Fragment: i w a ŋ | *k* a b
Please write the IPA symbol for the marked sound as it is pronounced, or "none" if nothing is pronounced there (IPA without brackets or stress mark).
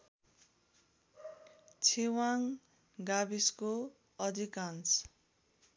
ɡ